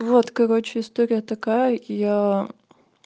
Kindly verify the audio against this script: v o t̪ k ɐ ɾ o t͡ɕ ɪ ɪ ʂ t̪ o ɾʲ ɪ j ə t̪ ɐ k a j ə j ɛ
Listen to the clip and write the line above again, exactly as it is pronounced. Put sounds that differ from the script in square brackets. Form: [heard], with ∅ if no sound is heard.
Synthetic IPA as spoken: v o t̪ k ɐ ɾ o t͡ɕ ɪ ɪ [s] t̪ o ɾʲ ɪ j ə t̪ ɐ k a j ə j [a]